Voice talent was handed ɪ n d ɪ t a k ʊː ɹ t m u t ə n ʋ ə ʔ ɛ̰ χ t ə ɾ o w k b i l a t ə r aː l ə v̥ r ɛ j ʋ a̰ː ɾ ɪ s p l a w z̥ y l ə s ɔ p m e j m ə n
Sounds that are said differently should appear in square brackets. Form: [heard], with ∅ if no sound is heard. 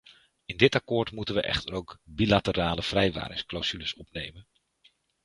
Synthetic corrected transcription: ɪ n d ɪ t a k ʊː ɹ t m u t ə n ʋ ə ʔ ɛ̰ χ t ə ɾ o w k b i l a t ə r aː l ə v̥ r ɛ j ʋ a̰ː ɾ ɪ s [k] l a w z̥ y l ə s ɔ p [n] e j m ə n